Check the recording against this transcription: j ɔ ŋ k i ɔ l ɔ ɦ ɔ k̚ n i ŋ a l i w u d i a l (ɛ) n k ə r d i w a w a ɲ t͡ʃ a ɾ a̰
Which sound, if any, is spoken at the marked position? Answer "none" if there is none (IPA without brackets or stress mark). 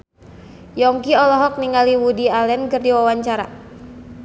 ɛ